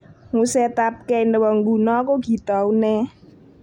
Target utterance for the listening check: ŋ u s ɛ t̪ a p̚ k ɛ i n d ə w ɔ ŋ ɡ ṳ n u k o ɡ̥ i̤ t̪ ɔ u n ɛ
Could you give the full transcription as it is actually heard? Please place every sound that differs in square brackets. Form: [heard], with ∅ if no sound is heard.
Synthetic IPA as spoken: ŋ u s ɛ t̪ a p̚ k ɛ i n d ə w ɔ ŋ ɡ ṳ n [ɔ] k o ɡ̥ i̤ t̪ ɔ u n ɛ